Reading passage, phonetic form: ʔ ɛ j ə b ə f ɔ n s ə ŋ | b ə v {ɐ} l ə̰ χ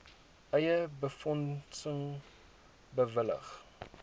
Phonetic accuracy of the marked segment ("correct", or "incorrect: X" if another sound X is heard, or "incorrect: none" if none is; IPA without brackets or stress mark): incorrect: ə